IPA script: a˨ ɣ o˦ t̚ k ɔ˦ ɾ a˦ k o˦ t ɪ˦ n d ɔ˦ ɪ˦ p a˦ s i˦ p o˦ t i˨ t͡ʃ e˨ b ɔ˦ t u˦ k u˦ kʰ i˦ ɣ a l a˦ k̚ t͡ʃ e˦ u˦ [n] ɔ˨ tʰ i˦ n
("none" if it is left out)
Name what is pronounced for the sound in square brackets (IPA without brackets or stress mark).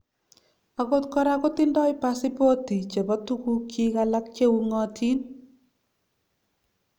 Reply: ŋ